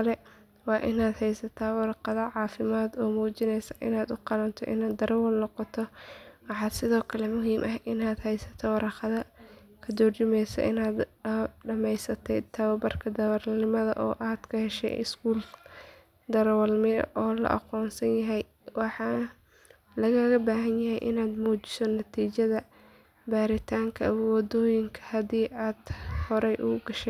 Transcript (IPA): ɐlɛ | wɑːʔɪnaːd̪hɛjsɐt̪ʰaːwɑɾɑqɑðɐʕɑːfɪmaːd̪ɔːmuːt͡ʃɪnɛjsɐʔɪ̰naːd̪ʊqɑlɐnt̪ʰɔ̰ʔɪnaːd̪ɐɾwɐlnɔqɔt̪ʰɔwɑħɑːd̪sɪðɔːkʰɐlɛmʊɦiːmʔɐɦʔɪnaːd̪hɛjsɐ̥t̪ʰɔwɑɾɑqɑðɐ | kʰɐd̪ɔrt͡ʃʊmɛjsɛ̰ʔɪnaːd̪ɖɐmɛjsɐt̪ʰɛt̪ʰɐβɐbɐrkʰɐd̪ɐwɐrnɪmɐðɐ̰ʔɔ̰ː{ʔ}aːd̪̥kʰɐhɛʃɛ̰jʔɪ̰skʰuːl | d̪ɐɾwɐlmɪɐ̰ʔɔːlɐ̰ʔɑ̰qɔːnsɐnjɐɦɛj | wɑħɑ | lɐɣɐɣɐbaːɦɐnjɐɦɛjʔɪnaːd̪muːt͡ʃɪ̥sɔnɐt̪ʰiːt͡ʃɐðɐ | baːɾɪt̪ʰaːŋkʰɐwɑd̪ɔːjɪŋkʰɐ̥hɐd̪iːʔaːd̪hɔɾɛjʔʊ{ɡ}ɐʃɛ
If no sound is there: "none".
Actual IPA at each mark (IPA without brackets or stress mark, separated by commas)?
ʔ, ɡ